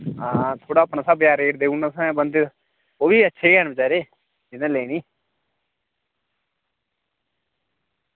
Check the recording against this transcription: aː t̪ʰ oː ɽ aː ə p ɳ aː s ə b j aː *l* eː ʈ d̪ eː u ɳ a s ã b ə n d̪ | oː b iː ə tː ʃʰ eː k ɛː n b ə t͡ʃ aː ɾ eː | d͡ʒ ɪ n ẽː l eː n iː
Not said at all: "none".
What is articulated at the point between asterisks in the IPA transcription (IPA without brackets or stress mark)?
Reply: ɾ